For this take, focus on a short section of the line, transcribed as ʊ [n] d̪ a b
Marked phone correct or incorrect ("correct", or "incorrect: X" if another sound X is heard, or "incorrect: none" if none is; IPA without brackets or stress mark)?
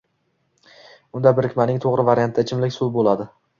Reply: correct